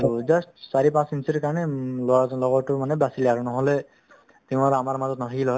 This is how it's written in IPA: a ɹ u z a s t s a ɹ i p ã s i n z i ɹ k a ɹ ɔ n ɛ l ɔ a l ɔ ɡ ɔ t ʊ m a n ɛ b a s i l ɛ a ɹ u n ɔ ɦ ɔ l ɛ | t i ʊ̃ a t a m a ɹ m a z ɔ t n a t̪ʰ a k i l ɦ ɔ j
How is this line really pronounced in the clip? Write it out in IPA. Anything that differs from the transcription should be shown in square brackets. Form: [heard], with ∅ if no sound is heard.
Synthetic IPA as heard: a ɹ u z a s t s a ɹ i p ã s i n [s] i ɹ k a ɹ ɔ n ɛ l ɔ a l ɔ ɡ ɔ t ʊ m a n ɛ b a s i l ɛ a ɹ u n ɔ ɦ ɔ l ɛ | t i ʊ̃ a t a m a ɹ m a z ɔ t n a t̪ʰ a k i l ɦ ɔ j